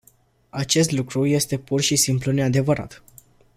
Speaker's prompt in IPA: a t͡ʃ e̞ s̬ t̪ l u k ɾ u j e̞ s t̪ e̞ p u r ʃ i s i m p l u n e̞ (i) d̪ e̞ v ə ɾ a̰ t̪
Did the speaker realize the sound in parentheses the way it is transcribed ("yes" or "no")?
no